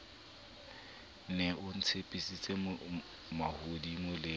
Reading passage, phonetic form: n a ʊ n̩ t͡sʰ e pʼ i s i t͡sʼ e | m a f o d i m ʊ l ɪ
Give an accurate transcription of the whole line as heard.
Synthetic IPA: n ɛ ʊ n̩ t͡sʰ e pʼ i s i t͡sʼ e | m a h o d i m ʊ l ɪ